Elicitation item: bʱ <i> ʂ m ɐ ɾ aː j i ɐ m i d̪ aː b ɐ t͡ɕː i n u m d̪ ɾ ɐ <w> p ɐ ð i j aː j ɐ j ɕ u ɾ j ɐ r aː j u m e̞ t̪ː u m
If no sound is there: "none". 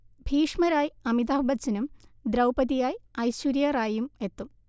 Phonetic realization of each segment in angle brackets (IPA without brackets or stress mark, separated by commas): iː, w